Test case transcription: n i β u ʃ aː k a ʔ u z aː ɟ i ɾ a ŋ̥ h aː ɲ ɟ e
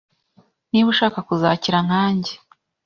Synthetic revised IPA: n i β u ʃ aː k a k u z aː c i ɾ a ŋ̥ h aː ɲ ɟ e